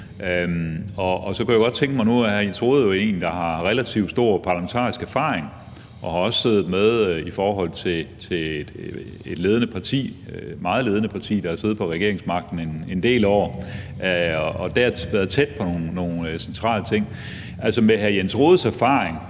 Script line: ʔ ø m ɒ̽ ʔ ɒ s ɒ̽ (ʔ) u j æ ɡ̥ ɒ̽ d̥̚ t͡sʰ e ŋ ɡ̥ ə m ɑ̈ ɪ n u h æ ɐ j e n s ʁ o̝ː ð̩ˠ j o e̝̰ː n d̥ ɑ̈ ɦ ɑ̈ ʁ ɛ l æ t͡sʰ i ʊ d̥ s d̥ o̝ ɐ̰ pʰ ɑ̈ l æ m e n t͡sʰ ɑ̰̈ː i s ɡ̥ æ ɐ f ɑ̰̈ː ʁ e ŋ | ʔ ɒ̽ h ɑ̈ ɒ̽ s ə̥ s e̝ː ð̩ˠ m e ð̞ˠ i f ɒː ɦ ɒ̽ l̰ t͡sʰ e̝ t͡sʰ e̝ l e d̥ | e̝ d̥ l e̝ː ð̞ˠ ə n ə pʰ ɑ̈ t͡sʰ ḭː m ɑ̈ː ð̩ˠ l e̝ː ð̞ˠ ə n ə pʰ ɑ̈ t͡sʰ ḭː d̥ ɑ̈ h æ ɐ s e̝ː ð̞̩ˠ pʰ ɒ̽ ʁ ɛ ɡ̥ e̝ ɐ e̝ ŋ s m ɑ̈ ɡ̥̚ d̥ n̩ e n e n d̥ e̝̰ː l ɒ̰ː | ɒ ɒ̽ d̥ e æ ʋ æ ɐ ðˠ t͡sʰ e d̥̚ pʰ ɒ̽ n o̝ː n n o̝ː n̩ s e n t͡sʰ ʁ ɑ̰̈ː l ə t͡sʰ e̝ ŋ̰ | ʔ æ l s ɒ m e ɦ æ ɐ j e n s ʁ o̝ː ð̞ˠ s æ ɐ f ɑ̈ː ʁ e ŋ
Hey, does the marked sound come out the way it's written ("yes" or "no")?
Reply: no